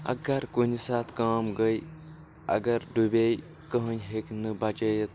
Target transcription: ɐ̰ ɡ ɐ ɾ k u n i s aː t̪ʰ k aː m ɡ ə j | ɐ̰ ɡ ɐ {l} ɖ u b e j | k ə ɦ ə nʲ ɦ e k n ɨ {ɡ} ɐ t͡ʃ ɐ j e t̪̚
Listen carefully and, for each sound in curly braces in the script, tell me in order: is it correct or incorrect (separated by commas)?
incorrect, incorrect